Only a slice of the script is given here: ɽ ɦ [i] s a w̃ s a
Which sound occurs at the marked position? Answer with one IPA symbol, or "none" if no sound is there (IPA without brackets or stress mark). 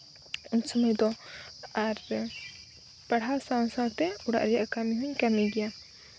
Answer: a